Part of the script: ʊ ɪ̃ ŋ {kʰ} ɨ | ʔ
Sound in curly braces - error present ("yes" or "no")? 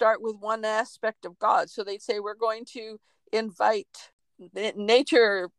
yes